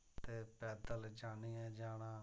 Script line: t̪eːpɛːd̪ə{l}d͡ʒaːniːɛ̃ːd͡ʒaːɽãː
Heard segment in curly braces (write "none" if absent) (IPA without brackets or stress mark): l